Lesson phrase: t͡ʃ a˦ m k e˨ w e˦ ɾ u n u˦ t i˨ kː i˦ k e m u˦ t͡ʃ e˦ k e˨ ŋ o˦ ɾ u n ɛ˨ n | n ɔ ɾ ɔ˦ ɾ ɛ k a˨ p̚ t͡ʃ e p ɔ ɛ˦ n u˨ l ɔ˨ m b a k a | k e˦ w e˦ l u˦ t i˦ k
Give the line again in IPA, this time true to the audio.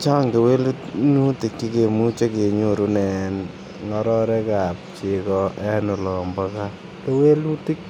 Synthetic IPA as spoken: t͡ʃ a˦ ŋ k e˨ w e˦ l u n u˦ t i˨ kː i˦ k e m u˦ t͡ʃ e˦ k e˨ ɲ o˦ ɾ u n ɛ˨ n | ŋ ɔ ɾ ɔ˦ ɾ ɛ k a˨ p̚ t͡ʃ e k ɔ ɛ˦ n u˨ l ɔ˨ m b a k a | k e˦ w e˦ l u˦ t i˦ k